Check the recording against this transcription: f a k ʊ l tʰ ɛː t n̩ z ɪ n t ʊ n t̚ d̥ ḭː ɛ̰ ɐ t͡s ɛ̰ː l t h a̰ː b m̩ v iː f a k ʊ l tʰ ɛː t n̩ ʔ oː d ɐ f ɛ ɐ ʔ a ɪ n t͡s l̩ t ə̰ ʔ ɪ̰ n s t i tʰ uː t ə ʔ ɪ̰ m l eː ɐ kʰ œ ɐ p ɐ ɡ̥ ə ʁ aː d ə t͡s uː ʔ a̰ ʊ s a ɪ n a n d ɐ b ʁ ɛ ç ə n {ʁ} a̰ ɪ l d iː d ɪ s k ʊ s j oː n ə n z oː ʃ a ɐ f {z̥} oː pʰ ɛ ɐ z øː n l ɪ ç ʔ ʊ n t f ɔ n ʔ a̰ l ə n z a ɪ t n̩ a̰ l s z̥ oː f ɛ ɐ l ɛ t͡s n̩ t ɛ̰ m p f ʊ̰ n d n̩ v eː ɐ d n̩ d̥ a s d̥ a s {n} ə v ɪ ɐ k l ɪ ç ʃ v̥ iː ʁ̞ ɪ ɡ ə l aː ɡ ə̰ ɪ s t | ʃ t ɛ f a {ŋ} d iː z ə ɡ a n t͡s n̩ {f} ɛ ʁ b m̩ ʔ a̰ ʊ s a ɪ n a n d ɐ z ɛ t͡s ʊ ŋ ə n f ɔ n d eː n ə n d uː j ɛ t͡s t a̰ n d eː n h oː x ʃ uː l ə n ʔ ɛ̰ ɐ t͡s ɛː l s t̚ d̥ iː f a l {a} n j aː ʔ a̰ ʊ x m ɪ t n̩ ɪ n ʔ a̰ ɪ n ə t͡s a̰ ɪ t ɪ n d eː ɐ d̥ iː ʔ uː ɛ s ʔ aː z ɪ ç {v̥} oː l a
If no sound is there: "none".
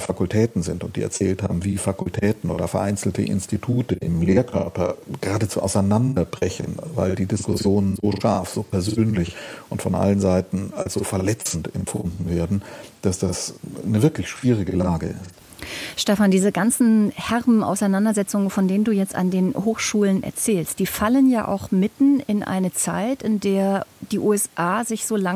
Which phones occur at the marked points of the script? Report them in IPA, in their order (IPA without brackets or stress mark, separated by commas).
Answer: v, z̥, n, n, h, ə, z̥